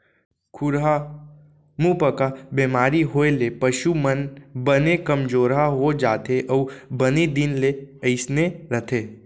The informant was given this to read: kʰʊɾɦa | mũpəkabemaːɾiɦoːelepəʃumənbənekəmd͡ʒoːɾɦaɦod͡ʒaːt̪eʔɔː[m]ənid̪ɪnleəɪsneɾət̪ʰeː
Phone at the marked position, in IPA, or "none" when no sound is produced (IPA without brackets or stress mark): b